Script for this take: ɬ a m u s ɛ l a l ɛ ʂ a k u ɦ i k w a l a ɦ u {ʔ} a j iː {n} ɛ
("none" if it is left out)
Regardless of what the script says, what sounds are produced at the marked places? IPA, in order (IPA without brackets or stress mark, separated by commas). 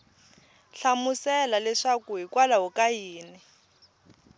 k, n